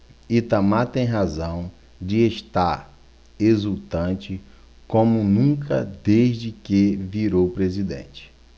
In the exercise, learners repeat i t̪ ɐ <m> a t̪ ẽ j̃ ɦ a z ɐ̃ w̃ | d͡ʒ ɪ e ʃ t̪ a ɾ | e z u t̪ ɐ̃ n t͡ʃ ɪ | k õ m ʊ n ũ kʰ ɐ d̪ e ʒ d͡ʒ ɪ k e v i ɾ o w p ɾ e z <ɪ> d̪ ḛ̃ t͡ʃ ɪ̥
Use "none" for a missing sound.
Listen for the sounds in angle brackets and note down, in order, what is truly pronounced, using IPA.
m, i

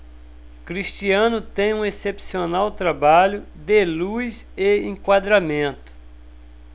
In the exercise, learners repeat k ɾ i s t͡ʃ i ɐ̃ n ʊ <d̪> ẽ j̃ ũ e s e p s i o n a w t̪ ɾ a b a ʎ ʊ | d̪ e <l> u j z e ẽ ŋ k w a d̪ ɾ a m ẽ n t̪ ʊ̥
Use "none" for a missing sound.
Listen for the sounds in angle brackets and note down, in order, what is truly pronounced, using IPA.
t̪, l

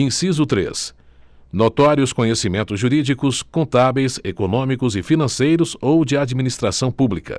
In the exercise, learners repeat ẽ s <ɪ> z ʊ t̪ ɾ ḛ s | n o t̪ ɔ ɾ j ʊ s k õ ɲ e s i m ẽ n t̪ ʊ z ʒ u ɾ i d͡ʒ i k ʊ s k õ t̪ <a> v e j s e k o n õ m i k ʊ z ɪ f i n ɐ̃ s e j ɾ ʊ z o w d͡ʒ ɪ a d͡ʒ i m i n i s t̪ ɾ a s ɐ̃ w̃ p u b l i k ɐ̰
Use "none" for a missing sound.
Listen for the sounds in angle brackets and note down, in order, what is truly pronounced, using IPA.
i, a

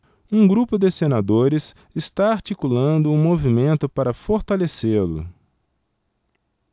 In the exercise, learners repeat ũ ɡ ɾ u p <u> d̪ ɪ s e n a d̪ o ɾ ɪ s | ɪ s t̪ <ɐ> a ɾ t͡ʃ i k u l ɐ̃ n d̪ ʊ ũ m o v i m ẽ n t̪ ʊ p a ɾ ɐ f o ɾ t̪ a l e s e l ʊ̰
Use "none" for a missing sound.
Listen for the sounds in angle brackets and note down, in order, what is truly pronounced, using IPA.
ʊ, a

